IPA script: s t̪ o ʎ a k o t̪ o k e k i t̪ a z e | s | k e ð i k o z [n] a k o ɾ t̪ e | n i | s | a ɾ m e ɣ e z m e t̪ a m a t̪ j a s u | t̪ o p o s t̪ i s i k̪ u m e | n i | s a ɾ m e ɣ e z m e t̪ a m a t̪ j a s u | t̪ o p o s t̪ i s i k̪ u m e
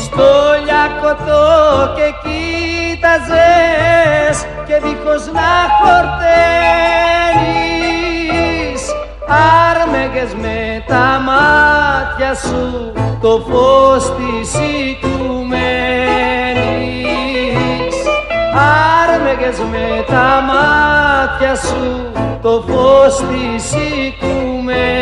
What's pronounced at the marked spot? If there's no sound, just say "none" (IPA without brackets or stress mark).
n